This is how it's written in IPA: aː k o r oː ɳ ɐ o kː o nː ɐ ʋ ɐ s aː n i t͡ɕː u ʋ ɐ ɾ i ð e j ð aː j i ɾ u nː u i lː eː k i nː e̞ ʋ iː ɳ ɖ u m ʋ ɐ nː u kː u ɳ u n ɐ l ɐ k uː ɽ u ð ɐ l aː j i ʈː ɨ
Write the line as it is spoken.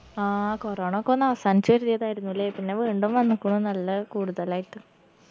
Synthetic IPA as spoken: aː k o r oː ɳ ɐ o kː o nː ɐ ʋ ɐ s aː n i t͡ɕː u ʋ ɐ ɾ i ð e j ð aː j i ɾ u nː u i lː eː p i nː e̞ ʋ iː ɳ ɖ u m ʋ ɐ nː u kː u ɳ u n ɐ lː ɐ k uː ɽ u ð ɐ l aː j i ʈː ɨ